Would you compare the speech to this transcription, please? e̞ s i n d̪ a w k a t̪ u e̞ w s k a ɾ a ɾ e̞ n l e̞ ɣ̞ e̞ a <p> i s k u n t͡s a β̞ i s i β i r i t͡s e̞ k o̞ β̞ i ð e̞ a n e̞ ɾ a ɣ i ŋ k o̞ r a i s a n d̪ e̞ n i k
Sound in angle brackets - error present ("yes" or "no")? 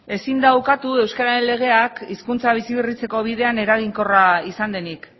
yes